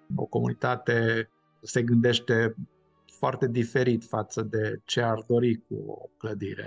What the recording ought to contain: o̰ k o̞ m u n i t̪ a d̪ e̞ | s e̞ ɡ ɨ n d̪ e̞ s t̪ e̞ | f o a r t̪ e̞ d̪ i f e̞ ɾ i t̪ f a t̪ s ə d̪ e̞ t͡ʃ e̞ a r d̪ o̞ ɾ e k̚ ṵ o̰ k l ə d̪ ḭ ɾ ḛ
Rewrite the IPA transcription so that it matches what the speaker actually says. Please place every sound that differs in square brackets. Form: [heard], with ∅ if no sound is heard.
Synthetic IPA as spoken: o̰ k o̞ m u n i t̪ a [t̪] e̞ | s e̞ ɡ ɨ n d̪ e̞ [ʃ] t̪ e̞ | f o a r t̪ e̞ d̪ i f e̞ ɾ i t̪ f a t̪ s ə d̪ e̞ t͡ʃ e̞ a r d̪ o̞ ɾ [i] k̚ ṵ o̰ k l ə d̪ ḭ ɾ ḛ